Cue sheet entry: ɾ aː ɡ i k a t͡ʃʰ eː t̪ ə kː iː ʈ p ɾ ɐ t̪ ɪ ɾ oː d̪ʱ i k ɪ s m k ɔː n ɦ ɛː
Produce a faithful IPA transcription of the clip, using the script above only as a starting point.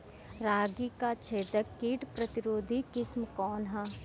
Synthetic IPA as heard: ɾ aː ɡ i k a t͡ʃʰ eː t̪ ə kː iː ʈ p ɾ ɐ t̪ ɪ ɾ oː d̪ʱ i k ɪ s m k ɔː n ɦ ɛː